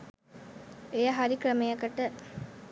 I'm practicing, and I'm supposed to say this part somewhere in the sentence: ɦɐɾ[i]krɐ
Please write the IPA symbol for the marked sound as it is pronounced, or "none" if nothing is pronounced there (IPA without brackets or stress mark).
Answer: i